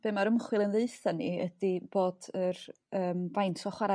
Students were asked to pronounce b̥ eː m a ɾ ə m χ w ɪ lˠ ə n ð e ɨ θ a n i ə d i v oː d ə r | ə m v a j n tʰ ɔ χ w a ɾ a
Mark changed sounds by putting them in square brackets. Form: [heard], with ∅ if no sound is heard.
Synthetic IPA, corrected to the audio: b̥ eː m a ɾ ə m χ w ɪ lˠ ə n ð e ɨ θ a n i ə d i [b] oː d ə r | [əː] m v a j n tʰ ɔ χ w a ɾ a